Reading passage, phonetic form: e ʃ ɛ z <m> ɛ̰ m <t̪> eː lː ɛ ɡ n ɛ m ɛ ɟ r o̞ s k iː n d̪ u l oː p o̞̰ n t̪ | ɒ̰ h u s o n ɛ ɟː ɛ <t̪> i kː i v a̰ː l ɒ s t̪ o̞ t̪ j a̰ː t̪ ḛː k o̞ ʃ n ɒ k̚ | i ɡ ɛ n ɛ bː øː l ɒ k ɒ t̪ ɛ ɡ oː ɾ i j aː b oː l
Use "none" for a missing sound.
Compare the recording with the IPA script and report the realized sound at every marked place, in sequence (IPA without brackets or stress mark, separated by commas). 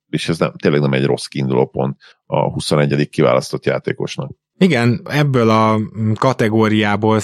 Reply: n, t̪, d̪